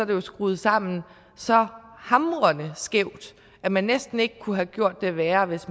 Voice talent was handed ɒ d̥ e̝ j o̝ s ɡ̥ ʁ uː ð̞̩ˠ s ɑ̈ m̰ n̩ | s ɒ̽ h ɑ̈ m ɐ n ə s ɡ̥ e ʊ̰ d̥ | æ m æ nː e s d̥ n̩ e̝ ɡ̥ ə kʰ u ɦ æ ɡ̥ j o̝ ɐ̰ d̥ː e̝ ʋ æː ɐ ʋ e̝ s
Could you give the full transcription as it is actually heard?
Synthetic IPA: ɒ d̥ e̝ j o̝ s ɡ̥ ʁ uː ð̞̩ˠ s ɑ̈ m̰ n̩ | s ɒ̽ h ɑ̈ m ɐ n ə s ɡ̥ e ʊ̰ d̥ | æ m æ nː e s d̥ n̩ e̝ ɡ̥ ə kʰ u ɦ æ ɡ̥ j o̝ ɐ̰ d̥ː e̝ ʋ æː ɐ ʋ e̝ s